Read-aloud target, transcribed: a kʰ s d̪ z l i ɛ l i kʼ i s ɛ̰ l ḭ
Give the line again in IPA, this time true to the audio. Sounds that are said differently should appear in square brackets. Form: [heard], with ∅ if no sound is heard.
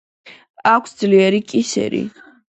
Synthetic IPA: a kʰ s d̪ z l i ɛ [ɾ] i kʼ i s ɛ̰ [ɾ] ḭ